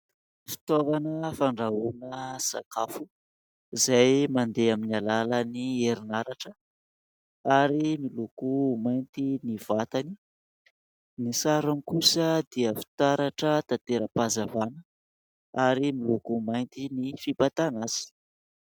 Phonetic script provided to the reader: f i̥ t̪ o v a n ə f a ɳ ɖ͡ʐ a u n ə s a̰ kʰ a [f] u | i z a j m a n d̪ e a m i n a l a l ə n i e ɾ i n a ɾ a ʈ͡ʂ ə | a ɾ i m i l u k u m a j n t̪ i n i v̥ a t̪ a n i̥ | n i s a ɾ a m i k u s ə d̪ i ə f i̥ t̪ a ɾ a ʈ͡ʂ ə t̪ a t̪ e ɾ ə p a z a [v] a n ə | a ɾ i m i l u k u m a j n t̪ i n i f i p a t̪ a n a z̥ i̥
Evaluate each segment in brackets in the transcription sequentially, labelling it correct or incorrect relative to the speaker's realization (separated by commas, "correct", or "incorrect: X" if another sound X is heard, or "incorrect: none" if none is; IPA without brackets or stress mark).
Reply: correct, correct